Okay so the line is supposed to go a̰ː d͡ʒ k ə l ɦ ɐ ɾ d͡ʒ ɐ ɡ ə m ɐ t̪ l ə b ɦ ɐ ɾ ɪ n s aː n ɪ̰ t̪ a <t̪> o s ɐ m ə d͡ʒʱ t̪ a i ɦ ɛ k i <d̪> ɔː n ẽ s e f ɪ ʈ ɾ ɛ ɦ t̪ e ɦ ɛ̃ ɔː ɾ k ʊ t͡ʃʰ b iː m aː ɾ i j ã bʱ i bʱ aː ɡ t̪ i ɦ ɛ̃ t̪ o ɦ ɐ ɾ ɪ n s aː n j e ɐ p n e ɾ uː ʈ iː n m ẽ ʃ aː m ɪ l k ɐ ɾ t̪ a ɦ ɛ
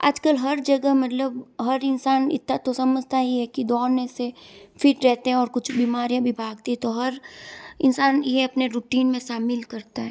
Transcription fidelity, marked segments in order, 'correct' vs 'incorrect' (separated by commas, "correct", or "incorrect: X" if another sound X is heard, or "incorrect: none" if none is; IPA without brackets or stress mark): correct, correct